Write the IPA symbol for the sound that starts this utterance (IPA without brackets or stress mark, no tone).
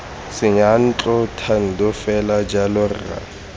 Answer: s